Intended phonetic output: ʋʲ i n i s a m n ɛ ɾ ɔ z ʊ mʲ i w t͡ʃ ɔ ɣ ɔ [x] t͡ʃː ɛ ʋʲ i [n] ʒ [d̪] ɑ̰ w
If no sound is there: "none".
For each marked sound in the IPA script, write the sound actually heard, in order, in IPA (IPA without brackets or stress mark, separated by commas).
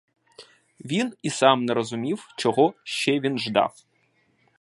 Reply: ʃ, n, d̪